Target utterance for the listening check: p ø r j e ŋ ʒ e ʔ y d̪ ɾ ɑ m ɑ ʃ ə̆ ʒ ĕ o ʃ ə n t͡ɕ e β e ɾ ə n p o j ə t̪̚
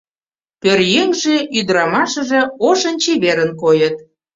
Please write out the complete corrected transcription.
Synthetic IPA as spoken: p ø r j e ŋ ʒ e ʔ y d̪ ɾ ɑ m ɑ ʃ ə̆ ʒ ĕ o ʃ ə n t͡ɕ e β e ɾ ə n k o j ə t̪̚